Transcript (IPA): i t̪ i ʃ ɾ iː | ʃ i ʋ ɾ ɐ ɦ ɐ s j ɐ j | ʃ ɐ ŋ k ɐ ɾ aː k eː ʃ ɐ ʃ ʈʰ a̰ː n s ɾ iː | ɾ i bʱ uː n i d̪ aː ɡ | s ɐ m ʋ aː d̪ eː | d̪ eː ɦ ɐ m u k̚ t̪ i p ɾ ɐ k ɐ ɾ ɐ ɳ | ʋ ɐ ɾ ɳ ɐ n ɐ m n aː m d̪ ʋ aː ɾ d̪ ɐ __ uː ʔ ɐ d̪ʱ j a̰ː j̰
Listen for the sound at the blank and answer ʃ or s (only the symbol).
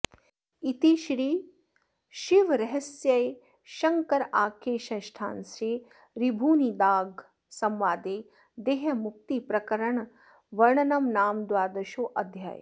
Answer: ʃ